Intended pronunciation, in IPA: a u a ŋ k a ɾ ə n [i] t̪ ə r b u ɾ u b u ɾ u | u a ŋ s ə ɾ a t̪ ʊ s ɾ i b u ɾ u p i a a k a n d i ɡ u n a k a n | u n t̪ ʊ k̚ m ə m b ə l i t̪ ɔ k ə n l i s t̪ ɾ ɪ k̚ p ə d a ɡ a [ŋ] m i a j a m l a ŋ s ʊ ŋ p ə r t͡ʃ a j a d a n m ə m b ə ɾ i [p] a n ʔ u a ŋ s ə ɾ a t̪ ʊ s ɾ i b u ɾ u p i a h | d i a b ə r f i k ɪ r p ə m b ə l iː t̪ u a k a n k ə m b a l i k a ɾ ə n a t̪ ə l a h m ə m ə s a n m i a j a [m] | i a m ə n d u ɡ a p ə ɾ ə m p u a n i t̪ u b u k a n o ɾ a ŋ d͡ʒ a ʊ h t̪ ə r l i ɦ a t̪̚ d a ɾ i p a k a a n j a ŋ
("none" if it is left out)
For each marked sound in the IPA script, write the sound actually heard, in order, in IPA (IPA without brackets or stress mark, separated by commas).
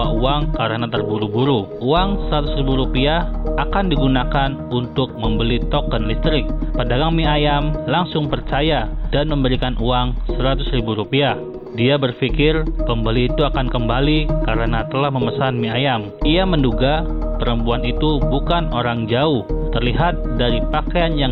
a, ŋ, k, m